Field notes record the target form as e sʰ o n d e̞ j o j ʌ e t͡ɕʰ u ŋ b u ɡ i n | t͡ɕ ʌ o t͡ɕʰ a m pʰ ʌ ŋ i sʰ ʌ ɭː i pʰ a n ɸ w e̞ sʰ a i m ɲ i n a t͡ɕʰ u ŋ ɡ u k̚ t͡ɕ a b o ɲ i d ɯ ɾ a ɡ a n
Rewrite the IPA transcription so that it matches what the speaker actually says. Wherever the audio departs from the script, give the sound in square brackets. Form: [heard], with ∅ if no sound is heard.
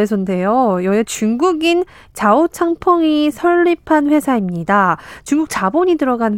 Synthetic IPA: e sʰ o n d e̞ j o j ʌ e [t͡ɕ] u ŋ [ɡ] u ɡ i n | t͡ɕ [a] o t͡ɕʰ a [ŋ] pʰ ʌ ŋ i sʰ ʌ ɭː i pʰ a n ɸ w e̞ sʰ a i m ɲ i [d] a [t͡ɕ] u ŋ ɡ u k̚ t͡ɕ a b o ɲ i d ɯ ɾ [ʌ] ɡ a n